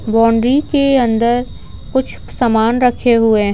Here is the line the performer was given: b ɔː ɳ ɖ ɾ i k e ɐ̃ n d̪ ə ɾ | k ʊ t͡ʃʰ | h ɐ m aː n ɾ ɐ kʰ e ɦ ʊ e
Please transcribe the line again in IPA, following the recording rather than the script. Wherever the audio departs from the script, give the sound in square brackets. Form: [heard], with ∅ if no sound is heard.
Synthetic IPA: b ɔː ɳ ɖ ɾ i k e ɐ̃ n d̪ ə ɾ | k ʊ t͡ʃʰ | [s] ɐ m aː n ɾ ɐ kʰ e ɦ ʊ e